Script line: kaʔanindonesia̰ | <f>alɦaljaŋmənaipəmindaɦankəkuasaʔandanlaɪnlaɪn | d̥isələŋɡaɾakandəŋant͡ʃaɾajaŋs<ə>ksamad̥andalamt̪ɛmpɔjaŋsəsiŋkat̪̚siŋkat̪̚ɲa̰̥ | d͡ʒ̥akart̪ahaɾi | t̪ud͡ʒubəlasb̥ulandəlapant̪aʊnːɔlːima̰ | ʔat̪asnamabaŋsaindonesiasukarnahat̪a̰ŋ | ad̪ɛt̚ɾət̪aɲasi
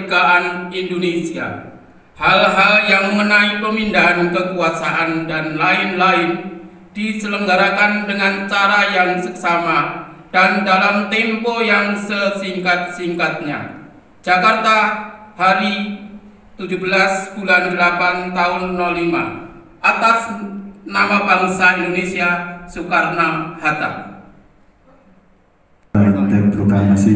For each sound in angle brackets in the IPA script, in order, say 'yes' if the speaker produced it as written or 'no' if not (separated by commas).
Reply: no, yes